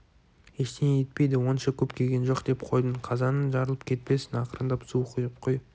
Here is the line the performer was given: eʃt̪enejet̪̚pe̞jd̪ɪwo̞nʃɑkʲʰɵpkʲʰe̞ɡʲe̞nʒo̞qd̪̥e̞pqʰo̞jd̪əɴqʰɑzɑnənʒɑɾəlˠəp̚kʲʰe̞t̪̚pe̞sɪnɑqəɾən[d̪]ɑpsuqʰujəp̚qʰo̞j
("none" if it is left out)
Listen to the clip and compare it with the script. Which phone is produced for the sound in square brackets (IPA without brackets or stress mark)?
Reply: d̪